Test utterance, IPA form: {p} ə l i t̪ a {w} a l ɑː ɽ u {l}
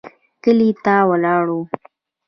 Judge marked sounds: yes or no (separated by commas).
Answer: no, yes, no